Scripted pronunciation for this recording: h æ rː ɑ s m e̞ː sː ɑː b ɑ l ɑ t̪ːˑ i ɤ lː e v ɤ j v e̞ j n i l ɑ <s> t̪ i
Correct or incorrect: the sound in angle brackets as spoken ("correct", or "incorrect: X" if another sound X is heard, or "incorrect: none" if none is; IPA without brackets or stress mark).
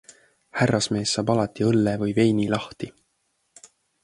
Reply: incorrect: h